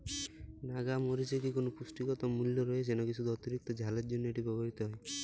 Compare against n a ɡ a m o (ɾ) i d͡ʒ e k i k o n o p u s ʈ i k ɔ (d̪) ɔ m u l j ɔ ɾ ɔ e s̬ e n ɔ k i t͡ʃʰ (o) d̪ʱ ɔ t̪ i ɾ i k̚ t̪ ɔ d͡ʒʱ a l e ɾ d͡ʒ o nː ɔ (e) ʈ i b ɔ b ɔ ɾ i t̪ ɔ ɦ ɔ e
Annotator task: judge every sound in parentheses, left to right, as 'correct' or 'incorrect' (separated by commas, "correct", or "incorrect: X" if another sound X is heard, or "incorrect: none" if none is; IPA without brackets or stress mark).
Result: correct, incorrect: t̪, incorrect: u, correct